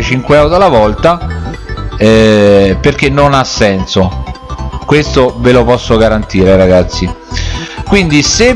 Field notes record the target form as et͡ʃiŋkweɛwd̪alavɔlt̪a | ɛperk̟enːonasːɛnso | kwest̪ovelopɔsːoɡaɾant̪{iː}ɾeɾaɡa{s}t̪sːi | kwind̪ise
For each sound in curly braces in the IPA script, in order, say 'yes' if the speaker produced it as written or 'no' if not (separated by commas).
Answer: yes, no